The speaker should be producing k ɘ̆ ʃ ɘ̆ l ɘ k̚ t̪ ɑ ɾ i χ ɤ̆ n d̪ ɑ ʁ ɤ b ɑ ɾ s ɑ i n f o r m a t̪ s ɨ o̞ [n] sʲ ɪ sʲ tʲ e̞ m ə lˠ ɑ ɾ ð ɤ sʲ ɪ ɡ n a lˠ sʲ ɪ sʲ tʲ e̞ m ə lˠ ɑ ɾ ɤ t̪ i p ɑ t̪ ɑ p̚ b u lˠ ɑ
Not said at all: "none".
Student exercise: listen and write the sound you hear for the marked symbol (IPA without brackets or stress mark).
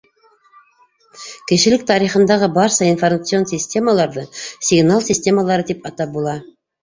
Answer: n